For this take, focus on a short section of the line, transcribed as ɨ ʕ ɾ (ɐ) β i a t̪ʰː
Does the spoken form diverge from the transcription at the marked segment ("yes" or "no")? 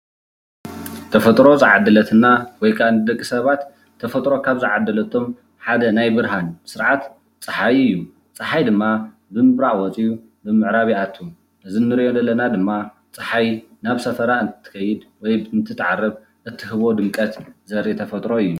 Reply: yes